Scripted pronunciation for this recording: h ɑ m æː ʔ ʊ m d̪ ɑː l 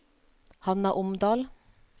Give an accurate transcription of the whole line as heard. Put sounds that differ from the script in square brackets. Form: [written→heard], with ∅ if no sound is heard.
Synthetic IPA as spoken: h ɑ [m→n] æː ʔ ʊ m d̪ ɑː l